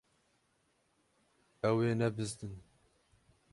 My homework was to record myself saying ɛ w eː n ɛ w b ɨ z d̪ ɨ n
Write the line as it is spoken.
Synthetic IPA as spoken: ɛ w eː n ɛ b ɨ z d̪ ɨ n